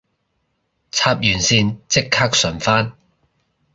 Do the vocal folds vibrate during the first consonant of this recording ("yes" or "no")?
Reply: no